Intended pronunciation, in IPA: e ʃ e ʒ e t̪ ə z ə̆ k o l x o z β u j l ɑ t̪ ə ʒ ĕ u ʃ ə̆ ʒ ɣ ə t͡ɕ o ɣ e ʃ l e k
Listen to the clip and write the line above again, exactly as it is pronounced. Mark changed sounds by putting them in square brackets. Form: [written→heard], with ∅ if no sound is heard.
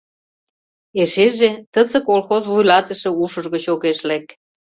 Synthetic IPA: e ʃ e ʒ e t̪ ə z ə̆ k o l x o z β u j l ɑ t̪ ə [ʒ→ʃ] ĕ u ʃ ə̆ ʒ ɣ ə t͡ɕ o ɣ e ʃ l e k